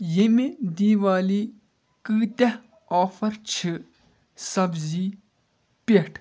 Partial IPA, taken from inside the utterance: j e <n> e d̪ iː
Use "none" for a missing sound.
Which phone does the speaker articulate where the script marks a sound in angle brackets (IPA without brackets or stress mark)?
m